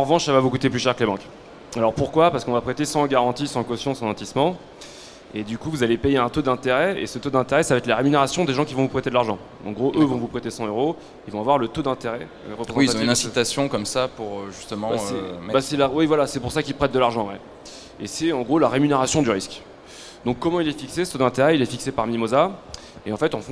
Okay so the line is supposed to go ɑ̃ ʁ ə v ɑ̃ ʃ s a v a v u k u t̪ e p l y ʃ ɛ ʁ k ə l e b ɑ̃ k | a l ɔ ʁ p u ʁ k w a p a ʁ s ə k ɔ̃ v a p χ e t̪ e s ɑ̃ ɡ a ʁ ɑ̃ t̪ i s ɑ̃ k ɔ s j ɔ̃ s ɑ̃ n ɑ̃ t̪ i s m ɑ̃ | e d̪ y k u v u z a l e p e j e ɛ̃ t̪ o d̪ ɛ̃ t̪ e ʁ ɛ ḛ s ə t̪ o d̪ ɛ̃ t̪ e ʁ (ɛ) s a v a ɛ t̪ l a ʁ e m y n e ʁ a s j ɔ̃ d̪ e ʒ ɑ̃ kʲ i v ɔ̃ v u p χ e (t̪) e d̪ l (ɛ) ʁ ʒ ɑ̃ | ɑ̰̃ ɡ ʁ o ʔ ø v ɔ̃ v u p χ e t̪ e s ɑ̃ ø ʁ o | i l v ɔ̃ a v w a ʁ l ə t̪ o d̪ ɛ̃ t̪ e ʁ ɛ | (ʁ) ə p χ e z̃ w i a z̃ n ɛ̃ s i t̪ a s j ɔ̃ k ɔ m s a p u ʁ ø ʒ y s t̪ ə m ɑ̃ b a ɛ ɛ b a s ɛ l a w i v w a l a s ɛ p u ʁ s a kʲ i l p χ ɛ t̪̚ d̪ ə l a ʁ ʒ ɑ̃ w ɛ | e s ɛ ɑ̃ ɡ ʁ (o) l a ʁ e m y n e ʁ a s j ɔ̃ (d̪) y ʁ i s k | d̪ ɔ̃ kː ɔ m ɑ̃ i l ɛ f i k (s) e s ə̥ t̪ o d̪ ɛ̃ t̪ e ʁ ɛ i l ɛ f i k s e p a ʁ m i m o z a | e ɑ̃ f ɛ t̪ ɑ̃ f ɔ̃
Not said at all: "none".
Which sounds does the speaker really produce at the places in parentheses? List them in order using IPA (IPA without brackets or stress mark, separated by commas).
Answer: ɛ, t̪, a, ʁ, o, d̪, s